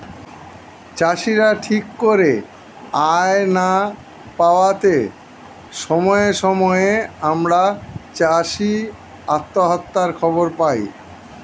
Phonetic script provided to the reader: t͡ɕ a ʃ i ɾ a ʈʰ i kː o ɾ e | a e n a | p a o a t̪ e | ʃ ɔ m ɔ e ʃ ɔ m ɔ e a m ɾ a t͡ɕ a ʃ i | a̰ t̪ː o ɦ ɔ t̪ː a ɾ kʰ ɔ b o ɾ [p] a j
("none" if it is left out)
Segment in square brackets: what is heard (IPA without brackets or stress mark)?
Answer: p